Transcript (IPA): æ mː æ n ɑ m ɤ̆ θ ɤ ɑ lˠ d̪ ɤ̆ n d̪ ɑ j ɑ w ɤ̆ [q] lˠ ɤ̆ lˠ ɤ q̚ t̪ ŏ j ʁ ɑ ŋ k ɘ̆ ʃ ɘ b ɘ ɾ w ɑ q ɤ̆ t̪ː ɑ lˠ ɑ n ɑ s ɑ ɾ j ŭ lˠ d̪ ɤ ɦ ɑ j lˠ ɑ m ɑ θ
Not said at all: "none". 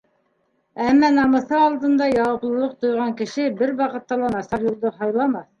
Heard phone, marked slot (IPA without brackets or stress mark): p